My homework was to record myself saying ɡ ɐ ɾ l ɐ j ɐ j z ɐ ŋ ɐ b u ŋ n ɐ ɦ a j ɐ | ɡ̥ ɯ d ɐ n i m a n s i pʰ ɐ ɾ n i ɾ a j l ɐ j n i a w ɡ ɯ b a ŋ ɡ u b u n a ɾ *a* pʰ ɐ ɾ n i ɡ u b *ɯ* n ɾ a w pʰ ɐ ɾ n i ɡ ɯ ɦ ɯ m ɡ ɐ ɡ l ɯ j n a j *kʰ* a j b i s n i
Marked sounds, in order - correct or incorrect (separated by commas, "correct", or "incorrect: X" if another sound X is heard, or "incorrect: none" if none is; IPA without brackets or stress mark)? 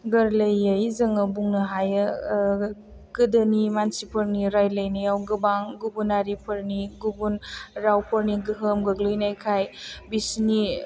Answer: incorrect: i, incorrect: u, correct